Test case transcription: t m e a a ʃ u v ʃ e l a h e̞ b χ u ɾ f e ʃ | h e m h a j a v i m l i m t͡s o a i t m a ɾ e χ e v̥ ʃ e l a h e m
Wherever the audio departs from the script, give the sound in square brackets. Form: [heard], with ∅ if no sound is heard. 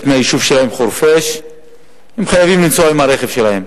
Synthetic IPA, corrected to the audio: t m e a [i] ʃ u v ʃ e l a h e̞ [m] χ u ɾ f e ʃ | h e m [χ] a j a v i m l i m t͡s o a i [∅] m a ɾ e χ e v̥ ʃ e l a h e m

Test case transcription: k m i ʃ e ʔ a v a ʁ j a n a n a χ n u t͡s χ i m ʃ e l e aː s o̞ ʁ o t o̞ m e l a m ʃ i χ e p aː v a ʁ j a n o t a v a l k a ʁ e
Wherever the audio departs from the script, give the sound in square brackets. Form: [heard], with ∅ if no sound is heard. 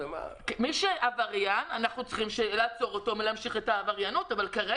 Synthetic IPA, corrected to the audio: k m i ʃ e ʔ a v a ʁ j a n a n a χ n u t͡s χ i m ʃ e l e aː [t͡s] o̞ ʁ o t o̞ m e l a m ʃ i χ e [t] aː v a ʁ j a n o t a v a l k a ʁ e

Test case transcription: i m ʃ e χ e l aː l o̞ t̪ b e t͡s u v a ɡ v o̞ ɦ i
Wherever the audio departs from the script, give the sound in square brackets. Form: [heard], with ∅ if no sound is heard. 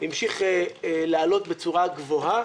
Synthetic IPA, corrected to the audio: i m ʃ [i] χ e l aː l o̞ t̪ b e t͡s u [ʁ] a ɡ v o̞ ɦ [a]

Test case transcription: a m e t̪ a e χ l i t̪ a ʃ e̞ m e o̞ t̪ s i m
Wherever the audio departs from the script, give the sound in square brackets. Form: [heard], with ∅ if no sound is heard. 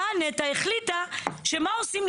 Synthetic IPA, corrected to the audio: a [n] e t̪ a e χ l i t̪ a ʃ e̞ m [a] o̞ [∅] s i m

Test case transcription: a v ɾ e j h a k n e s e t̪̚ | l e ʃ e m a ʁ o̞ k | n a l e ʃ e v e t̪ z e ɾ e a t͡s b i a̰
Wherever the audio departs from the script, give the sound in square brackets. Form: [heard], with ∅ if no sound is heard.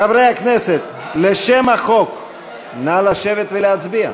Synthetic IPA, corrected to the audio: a v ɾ e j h a k n e s e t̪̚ | l e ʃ e m a [χ] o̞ k | n a l [a] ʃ e v e t̪ [v] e [l] e a t͡s b i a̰

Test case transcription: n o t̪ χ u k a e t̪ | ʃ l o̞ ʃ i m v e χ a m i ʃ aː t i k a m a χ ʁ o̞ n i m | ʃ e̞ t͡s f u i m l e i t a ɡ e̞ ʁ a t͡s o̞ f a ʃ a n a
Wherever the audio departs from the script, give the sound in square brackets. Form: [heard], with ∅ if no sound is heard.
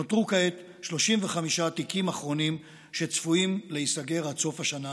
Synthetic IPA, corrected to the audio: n o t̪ [ʁ] u k a e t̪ | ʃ l o̞ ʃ i m v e χ a m i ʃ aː t i k [i] m a χ ʁ o̞ n i m | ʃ e̞ t͡s f u i m l e i [s] a ɡ e̞ ʁ a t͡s o̞ f a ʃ a n a

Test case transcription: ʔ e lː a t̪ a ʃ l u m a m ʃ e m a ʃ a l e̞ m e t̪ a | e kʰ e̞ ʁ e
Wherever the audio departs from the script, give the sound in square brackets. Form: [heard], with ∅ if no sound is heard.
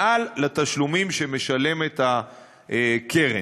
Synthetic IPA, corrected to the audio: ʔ [a] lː a t̪ a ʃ l u m [i] m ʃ e m [e] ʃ a l e̞ m e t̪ a | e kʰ e̞ ʁ e

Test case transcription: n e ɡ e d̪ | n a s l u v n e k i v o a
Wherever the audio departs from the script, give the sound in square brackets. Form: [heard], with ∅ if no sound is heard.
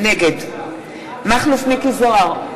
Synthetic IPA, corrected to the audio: n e ɡ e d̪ | [m] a [χ] l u [f] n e k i [z] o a

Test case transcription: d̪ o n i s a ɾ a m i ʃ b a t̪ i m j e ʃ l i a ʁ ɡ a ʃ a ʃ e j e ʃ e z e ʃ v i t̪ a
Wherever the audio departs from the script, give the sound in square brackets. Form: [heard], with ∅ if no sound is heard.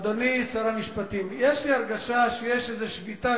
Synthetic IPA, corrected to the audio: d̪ o n i s a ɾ a m i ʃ [p] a t̪ i m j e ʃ l i a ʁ ɡ a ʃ a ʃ e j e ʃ e z e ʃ v i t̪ a

